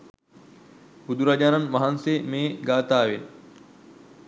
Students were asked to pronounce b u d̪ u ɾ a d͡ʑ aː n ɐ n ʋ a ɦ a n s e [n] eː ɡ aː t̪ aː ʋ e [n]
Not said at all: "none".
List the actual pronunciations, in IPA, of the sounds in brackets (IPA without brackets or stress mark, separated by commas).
m, n